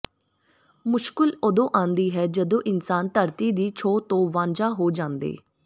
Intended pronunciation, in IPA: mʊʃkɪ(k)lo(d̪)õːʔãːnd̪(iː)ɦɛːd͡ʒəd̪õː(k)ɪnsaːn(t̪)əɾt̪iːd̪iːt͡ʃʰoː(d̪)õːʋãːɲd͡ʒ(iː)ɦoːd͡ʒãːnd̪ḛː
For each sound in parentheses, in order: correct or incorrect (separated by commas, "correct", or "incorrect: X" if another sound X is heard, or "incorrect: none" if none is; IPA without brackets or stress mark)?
incorrect: none, correct, correct, incorrect: ʔ, correct, incorrect: t̪, incorrect: aː